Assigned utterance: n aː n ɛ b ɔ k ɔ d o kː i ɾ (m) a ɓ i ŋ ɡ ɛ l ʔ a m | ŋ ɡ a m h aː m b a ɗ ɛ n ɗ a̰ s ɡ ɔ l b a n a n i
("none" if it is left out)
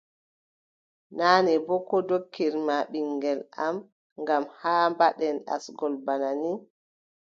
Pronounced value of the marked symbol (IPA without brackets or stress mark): m